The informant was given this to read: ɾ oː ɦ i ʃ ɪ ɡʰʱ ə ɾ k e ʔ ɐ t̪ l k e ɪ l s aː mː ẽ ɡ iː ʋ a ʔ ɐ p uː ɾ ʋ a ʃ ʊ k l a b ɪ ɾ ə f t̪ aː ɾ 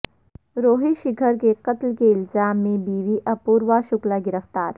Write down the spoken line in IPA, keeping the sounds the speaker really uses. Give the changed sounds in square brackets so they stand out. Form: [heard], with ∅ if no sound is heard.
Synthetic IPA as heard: ɾ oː ɦ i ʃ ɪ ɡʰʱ ə ɾ k e [q] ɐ t̪ l k e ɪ l [z] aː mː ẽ [b] iː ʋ [i] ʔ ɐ p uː ɾ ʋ a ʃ ʊ k l a [ɡ] ɪ ɾ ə f t̪ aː ɾ

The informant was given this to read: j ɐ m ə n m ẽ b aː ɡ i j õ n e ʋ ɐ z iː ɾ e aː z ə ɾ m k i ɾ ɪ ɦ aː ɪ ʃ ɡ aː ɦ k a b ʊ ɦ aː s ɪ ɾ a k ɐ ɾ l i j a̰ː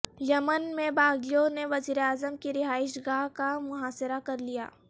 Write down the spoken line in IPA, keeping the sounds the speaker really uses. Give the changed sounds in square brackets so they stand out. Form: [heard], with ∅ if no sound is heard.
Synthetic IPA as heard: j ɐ m ə n m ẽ b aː ɡ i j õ n e ʋ ɐ z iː ɾ e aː z ə [∅] m k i ɾ ɪ ɦ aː ɪ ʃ ɡ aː ɦ k a [m] ʊ ɦ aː s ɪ ɾ a k ɐ ɾ l i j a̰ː

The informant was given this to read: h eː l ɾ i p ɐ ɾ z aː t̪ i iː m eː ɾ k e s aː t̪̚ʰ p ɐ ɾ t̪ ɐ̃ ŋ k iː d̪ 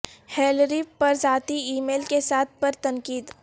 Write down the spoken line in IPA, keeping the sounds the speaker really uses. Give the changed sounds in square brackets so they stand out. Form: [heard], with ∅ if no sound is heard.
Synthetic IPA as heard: h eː l ɾ i p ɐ ɾ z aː t̪ i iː m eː [l] k e s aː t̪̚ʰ p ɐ ɾ t̪ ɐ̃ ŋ k iː d̪

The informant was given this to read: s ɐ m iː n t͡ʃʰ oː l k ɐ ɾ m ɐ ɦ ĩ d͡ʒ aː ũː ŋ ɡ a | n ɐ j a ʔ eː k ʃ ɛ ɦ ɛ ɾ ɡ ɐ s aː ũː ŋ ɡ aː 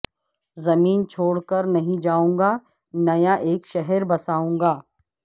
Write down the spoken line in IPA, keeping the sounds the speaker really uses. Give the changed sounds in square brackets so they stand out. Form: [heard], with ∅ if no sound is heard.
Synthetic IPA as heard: [z] ɐ m iː n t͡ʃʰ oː [ɽ] k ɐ ɾ [n] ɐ ɦ ĩ d͡ʒ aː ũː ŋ ɡ a | n ɐ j a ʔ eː k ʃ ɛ ɦ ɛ ɾ [b] ɐ s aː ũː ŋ ɡ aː

